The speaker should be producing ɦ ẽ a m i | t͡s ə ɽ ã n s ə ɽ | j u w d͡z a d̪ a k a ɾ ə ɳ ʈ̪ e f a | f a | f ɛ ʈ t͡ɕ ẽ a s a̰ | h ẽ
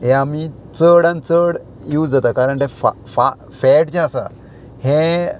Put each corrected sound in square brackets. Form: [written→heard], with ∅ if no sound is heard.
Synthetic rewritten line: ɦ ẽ a m i | t͡s ə ɽ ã n [s→t͡s] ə ɽ | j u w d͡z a [d̪→t̪] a k a ɾ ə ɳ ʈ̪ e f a | f a | f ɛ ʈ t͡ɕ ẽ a s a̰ | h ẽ